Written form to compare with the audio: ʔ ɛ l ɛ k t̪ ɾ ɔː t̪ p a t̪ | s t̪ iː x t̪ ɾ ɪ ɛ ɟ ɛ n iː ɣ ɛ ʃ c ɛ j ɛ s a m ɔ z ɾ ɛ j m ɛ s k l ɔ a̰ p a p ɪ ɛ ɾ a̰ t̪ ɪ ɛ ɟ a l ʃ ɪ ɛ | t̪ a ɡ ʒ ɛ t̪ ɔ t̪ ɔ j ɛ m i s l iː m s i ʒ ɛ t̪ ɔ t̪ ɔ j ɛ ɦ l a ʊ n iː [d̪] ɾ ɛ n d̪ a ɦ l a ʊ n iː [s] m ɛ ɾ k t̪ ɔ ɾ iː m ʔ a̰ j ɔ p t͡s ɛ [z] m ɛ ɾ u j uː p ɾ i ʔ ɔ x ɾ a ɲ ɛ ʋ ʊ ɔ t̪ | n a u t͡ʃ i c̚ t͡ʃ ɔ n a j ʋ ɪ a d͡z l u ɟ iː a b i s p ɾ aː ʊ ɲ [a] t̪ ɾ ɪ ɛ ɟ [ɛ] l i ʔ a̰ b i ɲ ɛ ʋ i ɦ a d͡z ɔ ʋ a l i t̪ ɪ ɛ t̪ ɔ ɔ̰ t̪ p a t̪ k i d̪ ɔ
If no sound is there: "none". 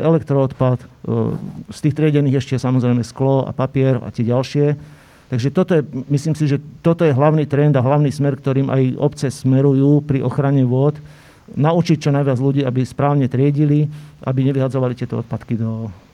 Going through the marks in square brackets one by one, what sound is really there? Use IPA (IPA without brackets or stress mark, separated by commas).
t̪, s, s, ɛ, i